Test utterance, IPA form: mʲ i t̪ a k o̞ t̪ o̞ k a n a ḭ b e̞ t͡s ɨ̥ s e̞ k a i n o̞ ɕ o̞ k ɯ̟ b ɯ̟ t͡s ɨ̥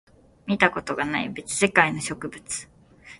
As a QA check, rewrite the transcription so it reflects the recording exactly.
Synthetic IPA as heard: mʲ i t̪ a k o̞ t̪ o̞ ɡ a n a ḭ b e̞ t͡s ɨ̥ s e̞ k a i n o̞ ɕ o̞ k ɯ̟ b ɯ̟ t͡s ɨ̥

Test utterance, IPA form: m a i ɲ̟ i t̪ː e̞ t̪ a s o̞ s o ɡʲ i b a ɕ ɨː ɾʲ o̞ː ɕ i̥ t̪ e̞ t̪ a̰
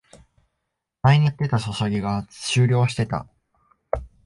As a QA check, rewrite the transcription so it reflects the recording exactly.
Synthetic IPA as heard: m a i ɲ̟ i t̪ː e̞ t̪ a s o̞ s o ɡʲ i ɡ a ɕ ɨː ɾʲ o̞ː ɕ i̥ t̪ e̞ t̪ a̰

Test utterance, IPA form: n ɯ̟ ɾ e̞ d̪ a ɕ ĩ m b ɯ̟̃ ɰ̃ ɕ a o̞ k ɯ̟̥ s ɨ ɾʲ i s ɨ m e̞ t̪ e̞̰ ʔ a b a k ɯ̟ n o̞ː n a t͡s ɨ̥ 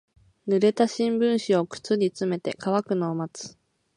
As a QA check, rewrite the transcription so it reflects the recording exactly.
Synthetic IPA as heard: n ɯ̟ ɾ e̞ t̪ a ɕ ĩ m b ɯ̟̃ ɰ̃ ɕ i o̞ k ɯ̟̥ t͡s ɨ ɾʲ i t͡s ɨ m e̞ t̪ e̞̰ k a β a k ɯ̟ n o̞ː m a t͡s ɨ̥

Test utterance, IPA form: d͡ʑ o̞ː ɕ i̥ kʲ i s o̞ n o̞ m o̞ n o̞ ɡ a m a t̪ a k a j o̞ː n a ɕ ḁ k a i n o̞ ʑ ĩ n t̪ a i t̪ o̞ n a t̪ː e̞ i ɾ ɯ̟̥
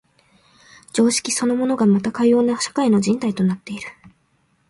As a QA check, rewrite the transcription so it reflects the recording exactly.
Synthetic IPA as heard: d͡ʑ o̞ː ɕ i̥ kʲ i s o̞ n o̞ m o̞ n o̞ ɡ a m a t̪ a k a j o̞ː n a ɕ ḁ k a i n o̞ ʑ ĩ n t̪ a i t̪ o̞ n a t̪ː e̞ i ɾ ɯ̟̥

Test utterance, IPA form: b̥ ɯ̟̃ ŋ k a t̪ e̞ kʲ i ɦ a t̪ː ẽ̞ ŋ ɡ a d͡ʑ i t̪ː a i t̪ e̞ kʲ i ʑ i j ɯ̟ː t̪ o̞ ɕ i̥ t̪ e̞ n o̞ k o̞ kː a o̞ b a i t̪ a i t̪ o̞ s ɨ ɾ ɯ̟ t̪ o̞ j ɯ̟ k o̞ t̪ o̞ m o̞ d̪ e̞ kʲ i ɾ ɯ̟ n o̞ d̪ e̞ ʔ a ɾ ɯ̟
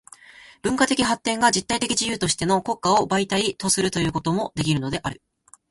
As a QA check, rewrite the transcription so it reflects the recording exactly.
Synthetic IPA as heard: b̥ ɯ̟̃ ŋ k a t̪ e̞ kʲ i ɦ a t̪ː ẽ̞ ŋ ɡ a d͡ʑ i t̪ː a i t̪ e̞ kʲ i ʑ i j ɯ̟ː t̪ o̞ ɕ i̥ t̪ e̞ n o̞ k o̞ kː a o̞ b a i t̪ a i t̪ o̞ s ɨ ɾ ɯ̟ t̪ o̞ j ɯ̟ː k o̞ t̪ o̞ m o̞ d̪ e̞ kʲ i ɾ ɯ̟ n o̞ d̪ e̞ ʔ a ɾ ɯ̟

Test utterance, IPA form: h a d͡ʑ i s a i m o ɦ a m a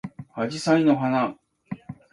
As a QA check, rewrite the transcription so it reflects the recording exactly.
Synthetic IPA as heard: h a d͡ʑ i s a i n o ɦ a n a

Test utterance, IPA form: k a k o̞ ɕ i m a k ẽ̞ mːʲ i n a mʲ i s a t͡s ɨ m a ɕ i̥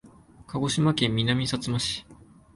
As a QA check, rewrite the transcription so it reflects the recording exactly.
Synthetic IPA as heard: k a ɡ o̞ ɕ i m a k ẽ̞ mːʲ i n a mʲ i s a t͡s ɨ m a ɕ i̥

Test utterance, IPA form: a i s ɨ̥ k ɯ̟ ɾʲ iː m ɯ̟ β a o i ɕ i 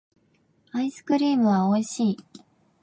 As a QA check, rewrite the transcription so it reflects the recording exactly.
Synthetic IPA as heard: a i s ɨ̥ k ɯ̟ ɾʲ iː m ɯ̟ β a o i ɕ iː

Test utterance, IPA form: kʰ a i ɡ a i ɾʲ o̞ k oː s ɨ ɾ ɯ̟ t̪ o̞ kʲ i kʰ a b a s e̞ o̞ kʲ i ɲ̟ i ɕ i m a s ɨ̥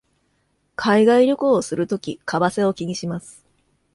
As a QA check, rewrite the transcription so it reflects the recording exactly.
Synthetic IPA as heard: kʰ a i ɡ a i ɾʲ o̞ k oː s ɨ ɾ ɯ̟ t̪ o̞ kʲ i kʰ a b a s e̞ o̞ kʲ i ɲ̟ i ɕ i m a s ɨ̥

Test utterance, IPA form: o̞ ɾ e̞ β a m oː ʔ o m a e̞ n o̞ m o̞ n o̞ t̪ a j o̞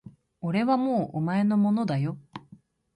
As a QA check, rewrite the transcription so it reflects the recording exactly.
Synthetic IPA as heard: o̞ ɾ e̞ β a m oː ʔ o m a e̞ n o̞ m o̞ n o̞ d̪ a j o̞

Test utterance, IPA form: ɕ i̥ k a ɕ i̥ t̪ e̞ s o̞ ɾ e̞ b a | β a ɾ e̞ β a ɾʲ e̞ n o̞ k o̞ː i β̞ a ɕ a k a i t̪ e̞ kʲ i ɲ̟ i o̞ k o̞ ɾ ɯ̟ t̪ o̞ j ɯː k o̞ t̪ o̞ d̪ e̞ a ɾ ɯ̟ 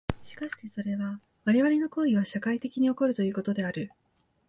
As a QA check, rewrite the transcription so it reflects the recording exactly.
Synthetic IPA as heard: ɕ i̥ k a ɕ i̥ t̪ e̞ s o̞ ɾ e̞ β a | β a ɾ e̞ β a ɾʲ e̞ n o̞ k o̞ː i β̞ a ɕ a k a i t̪ e̞ kʲ i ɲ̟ i o̞ k o̞ ɾ ɯ̟ t̪ o̞ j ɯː k o̞ t̪ o̞ d̪ e̞ a ɾ ɯ̟

